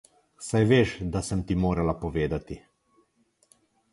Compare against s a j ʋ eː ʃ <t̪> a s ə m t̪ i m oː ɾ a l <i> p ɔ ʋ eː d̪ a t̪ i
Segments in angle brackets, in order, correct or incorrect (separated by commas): incorrect, incorrect